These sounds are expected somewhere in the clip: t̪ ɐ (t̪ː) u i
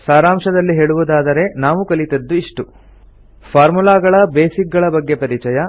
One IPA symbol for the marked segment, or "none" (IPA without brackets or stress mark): d̪ː